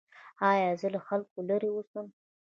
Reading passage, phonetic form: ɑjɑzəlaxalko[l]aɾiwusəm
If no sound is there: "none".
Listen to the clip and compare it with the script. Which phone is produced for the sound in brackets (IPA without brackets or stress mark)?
l